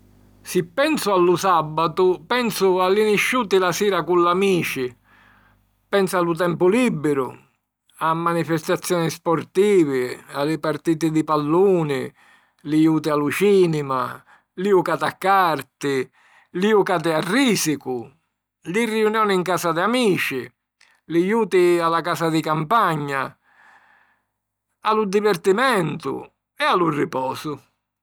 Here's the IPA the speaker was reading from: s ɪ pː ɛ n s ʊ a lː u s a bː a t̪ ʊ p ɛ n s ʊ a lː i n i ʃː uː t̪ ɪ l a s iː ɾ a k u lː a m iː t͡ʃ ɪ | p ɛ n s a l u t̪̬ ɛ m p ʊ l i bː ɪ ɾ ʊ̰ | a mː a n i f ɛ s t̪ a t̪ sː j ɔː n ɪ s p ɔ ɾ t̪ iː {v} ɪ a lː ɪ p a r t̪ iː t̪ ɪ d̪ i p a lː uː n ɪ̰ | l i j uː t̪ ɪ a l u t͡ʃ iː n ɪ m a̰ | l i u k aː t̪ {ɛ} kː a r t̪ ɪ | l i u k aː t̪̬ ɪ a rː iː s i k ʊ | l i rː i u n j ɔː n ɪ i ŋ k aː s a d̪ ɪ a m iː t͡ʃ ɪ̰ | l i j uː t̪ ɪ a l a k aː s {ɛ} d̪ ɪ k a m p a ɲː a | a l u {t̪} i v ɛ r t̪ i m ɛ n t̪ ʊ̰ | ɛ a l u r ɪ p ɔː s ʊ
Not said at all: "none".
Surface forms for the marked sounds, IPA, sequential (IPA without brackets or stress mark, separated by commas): v, a, a, d̪